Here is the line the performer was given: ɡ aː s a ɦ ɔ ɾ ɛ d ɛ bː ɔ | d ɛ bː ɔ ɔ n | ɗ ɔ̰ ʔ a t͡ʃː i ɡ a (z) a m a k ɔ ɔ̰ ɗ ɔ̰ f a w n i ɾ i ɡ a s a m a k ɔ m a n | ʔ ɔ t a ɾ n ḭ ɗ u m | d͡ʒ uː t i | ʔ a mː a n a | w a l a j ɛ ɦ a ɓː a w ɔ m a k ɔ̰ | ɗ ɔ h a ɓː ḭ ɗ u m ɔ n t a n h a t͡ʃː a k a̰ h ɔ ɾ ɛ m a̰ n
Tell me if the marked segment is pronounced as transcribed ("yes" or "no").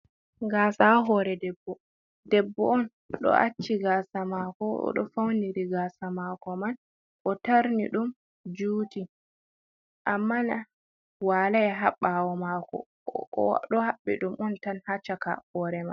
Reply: no